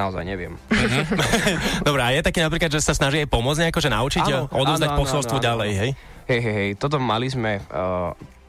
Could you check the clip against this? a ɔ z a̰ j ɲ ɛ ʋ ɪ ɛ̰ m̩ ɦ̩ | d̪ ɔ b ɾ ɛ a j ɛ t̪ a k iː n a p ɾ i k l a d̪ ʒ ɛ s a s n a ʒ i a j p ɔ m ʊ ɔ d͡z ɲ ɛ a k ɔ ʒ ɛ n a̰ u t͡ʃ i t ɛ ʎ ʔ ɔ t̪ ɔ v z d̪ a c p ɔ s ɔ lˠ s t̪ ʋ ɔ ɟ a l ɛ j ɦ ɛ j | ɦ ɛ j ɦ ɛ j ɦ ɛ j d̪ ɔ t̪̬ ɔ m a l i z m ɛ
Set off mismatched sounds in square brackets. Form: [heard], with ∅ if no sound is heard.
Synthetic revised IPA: a ɔ z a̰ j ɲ ɛ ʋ ɪ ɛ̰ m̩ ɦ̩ | d̪ ɔ b ɾ ɛ a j ɛ t̪ a k iː n a p ɾ i k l a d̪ ʒ ɛ s a s n a ʒ i a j p ɔ m ʊ ɔ d͡z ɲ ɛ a k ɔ ʒ ɛ n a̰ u t͡ʃ i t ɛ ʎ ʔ ɔ [d̪] ɔ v z d̪ a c p ɔ s ɔ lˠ s t̪ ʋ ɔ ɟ a l ɛ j ɦ ɛ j | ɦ ɛ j ɦ ɛ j ɦ ɛ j [t̪] ɔ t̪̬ ɔ m a l i z m ɛ